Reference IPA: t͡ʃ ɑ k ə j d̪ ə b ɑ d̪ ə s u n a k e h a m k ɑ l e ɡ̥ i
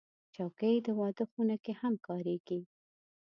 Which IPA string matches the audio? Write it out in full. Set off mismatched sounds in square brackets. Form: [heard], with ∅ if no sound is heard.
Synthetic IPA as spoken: t͡ʃ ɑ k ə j d̪ ə [w] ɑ d̪ ə [x] u n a k e h a m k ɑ [ɾ] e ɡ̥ i